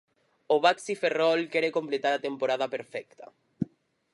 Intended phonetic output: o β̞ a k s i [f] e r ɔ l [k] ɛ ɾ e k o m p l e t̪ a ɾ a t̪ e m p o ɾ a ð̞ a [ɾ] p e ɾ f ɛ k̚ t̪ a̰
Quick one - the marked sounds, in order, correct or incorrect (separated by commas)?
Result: correct, correct, incorrect